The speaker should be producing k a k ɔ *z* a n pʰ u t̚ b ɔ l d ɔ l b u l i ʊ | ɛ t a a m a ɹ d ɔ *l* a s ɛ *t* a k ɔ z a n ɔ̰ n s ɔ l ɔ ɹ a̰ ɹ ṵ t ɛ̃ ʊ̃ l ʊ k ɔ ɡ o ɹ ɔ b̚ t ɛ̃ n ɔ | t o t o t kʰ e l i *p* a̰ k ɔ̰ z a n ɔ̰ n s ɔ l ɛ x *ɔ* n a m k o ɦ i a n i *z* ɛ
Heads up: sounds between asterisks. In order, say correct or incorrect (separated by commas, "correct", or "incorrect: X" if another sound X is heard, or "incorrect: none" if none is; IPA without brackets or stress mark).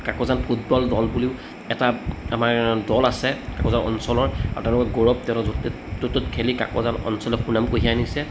correct, correct, incorrect: k, incorrect: k, incorrect: u, incorrect: s